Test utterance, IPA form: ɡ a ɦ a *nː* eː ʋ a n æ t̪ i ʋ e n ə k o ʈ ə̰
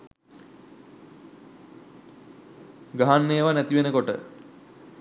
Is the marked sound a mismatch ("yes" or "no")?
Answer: no